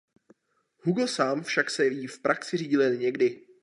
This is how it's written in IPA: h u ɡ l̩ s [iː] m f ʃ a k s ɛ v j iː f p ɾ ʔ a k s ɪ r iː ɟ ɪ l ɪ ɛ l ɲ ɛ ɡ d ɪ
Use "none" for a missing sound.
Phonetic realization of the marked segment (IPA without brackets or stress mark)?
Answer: aː